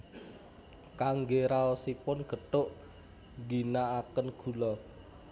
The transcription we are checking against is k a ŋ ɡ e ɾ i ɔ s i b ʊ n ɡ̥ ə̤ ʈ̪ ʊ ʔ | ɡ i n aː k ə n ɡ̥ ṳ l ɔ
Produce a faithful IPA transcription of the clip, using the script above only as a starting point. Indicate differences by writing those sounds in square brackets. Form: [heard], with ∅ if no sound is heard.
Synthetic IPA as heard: k a ŋ ɡ e ɾ [a] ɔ s i [p] ʊ n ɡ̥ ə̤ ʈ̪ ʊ ʔ | ɡ i n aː k ə n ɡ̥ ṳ l ɔ